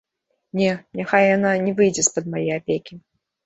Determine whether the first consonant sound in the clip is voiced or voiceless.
voiced